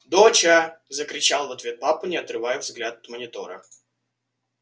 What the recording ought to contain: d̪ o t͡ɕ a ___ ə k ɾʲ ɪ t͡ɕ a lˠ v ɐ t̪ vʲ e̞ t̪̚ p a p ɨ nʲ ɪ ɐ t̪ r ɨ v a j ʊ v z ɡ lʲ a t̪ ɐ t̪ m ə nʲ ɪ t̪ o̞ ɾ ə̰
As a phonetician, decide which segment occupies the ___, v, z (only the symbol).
z